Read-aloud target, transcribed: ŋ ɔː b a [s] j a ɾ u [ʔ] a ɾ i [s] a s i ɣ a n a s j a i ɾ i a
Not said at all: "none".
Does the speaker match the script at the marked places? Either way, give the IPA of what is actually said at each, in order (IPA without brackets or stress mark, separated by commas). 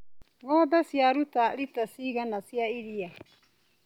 s, t, t